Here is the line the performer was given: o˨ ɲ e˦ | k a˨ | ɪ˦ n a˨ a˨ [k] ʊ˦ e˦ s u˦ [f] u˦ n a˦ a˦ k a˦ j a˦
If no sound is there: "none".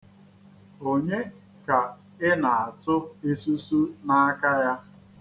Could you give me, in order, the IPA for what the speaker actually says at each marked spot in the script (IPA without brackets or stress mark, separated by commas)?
t, s